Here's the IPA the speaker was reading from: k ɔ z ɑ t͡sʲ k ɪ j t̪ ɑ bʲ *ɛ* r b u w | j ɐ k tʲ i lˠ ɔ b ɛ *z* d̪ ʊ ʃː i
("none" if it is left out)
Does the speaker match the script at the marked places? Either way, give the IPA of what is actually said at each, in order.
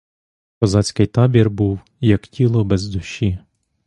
i, z

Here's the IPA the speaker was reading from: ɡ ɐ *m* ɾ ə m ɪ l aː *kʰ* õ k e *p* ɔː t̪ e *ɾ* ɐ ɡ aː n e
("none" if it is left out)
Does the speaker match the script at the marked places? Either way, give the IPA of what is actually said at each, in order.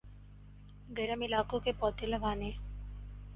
none, k, p, l

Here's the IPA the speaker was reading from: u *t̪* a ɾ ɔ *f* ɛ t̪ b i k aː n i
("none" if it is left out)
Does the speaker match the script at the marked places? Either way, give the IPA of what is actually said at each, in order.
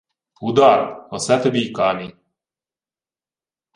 d̪, s

